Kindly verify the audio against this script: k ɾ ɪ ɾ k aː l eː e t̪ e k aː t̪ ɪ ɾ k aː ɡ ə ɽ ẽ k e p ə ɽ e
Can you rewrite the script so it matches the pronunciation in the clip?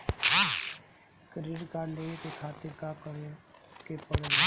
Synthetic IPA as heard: k ɾ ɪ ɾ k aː l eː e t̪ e kʰ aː t̪ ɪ ɾ k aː k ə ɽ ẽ k e p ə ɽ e